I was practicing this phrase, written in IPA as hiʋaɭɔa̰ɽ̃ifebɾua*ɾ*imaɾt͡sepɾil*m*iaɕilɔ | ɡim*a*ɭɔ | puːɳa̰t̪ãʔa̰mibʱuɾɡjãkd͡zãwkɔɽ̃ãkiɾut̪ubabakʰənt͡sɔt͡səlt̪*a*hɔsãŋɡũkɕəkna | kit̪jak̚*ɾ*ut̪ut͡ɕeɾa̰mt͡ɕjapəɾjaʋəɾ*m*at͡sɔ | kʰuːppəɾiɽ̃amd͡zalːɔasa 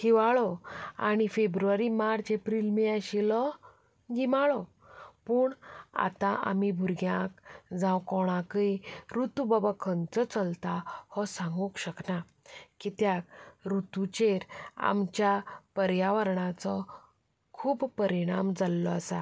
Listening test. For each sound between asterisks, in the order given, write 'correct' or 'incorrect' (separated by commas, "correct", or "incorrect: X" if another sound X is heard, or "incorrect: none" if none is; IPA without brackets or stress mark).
correct, correct, correct, correct, correct, incorrect: ɳ